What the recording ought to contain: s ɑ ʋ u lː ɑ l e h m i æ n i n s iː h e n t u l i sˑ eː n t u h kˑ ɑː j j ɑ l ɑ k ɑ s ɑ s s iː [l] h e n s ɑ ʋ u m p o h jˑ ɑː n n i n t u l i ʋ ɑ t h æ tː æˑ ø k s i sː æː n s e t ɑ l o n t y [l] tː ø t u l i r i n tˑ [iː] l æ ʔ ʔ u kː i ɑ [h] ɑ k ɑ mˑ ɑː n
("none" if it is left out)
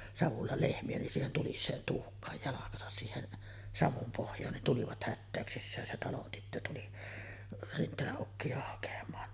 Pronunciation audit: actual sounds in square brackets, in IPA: none, none, eː, h

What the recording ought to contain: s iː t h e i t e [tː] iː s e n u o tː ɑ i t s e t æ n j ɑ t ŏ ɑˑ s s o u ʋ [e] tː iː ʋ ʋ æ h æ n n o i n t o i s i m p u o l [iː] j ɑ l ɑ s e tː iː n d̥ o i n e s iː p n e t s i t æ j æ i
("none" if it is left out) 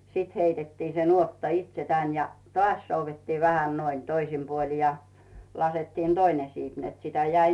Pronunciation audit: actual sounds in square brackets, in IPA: tː, e, i

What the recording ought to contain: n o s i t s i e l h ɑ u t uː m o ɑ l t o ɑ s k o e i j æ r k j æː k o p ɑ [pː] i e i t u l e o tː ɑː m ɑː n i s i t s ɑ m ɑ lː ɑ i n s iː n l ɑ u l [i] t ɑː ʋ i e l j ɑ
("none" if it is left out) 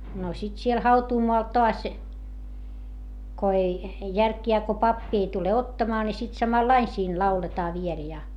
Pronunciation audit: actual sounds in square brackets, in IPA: pː, e

